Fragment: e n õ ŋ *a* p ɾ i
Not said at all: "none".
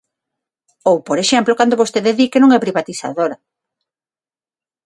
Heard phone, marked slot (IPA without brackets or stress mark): ɛ